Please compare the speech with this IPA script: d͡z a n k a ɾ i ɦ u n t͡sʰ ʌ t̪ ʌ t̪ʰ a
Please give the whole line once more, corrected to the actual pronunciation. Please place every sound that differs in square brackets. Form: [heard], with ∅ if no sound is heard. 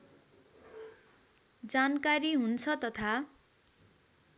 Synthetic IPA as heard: d͡z a n k a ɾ i ɦ u n t͡sʰ ʌ t̪ ʌ t̪ʰ a